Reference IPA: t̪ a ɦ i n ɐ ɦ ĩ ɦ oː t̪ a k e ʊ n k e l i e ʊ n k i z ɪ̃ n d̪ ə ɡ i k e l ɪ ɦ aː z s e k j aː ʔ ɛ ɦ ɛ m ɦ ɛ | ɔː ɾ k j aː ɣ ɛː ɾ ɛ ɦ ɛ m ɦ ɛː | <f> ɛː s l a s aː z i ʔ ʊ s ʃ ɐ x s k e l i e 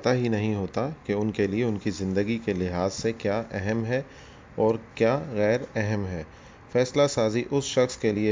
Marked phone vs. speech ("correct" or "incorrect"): correct